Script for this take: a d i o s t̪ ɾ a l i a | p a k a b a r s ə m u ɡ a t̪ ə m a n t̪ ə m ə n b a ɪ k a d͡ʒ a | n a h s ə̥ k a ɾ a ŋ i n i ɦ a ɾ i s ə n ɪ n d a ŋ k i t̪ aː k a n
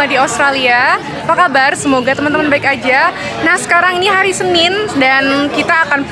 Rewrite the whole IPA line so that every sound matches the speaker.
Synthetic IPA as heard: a d i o s t̪ ɾ a l i a | p a k a b a r s ə m o ɡ a t̪ ə m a n t̪ ə m ə n b a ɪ k a d͡ʒ a | n a h s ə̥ k a ɾ a ŋ i n i ɦ a ɾ i s ə n ɪ n d a n k i t̪ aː k a n

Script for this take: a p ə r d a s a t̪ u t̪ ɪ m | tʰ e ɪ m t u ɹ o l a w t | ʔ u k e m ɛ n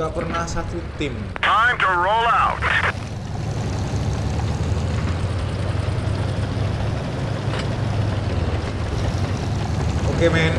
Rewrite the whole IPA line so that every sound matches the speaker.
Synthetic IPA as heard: a p ə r n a s a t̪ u t̪ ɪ m | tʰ a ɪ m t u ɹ o l a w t | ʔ o k e m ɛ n

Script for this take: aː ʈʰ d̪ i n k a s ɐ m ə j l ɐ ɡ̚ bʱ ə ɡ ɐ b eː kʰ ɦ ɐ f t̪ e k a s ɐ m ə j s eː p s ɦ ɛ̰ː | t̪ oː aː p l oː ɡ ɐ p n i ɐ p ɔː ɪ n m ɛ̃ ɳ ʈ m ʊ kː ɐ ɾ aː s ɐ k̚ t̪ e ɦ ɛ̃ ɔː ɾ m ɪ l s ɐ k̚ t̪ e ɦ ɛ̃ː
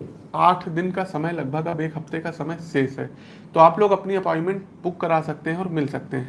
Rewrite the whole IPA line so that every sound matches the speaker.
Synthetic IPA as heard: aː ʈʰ d̪ ɪ n k a s ɐ m ə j l ɐ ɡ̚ bʱ ə ɡ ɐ b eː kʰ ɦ ɐ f t̪ e k a s ɐ m ə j s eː s ɦ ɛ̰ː | t̪ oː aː p l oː ɡ ɐ p n i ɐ p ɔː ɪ n m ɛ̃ ɳ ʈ b ʊ kː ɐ ɾ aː s ɐ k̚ t̪ e ɦ ɛ̃ ɔː ɾ m ɪ l s ɐ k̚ t̪ e ɦ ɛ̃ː

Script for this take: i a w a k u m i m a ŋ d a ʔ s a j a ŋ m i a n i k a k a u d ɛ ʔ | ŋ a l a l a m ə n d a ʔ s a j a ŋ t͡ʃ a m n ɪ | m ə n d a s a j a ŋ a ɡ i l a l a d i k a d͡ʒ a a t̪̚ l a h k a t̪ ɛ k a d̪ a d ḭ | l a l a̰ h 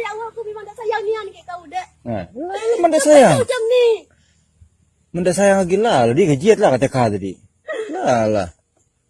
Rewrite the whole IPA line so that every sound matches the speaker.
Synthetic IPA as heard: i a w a k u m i m a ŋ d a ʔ s a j a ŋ n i a n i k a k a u d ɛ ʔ | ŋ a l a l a m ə n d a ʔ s a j a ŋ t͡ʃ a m n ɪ | m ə n d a s a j a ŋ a ɡ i l a l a d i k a d͡ʒ i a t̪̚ l a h k a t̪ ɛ k a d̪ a d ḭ | l a l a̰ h

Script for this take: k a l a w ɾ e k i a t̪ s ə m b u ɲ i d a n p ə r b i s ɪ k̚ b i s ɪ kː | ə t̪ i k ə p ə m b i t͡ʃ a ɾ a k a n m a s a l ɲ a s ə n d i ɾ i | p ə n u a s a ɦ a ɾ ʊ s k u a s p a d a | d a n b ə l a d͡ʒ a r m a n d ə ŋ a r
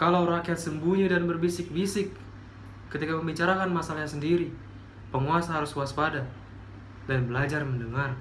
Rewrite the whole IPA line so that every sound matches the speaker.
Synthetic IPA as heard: k a l a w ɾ a k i a t̪ s ə m b u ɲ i d a n b ə r b i s ɪ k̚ b i s ɪ kː | ə t̪ i k a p ə m b i t͡ʃ a ɾ a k a n m a s a l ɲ a s ə n d i ɾ i | p ə ŋ u a s a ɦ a ɾ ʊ s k u a s p a d a | d a n b ə l a d͡ʒ a r m ə n d ə ŋ a r

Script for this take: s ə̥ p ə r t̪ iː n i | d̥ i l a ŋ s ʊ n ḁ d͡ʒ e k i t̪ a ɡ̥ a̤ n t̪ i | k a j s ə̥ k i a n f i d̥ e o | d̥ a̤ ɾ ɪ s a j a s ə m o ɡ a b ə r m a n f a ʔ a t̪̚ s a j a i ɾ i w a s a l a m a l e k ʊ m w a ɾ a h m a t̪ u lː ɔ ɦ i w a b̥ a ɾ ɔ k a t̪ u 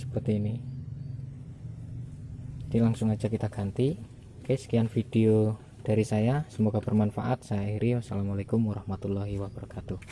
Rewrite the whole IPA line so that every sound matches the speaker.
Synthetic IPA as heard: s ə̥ p ə r t̪ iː n i | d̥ i l a ŋ s ʊ ŋ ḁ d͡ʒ a k i t̪ a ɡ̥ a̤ n t̪ i | k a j s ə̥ k i a n f i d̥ e o | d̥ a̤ ɾ i s a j a s ə m o ɡ a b ə r m a n f a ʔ a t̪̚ s a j a i ɾ i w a s a l a m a l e k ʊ m w a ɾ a h m a t̪ u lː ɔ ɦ i w a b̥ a ɾ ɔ k a t̪ u

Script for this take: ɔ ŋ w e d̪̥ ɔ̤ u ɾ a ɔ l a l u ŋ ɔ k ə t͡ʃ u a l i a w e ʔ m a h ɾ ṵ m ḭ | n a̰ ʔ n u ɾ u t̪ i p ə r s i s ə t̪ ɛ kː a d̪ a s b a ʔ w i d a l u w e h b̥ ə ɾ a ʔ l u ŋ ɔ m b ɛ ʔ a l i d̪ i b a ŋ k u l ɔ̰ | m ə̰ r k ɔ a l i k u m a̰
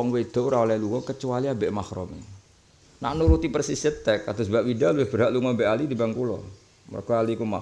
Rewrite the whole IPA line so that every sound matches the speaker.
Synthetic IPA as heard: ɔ ŋ w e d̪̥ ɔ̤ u ɾ a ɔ l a l u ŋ ɔ k ə t͡ʃ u a l i a b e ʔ m a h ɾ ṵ m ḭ | n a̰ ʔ n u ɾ u t̪ i p ə r s i s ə t̪ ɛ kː a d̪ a s b a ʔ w i d a l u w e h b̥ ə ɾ a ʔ l u ŋ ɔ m b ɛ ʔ a l i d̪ i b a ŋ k u l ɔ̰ | m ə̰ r k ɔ a l i k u m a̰

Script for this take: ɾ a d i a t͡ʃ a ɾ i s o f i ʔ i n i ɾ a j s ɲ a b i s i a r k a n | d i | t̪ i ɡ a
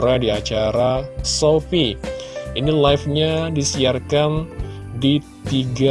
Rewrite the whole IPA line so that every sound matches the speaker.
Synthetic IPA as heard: ɾ a d i a t͡ʃ a ɾ a s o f i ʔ i n i l a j f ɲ a d i s i a r k a n | d i | t̪ i ɡ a

